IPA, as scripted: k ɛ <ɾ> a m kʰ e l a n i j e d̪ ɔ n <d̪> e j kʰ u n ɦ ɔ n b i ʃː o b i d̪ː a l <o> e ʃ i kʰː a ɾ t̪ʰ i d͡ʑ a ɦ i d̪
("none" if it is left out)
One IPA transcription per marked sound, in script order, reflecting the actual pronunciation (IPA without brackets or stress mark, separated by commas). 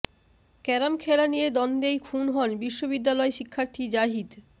ɾ, d̪, ɔ